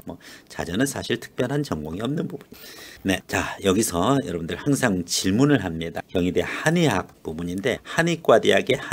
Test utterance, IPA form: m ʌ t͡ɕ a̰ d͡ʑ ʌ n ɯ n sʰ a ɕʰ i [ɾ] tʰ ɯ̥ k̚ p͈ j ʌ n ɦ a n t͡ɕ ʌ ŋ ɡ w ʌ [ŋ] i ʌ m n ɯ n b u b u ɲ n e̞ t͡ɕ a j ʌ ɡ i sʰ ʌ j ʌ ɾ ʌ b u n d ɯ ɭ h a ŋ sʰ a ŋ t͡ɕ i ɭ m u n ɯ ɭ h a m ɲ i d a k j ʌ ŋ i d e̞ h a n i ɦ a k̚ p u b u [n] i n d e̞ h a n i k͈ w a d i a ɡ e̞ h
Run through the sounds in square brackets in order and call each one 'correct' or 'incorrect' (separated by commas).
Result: incorrect, correct, incorrect